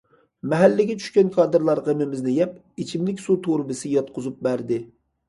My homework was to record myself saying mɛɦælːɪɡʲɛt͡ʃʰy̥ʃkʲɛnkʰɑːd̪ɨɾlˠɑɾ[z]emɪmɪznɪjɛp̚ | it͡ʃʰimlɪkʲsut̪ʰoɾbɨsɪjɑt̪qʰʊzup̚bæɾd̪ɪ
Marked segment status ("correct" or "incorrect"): incorrect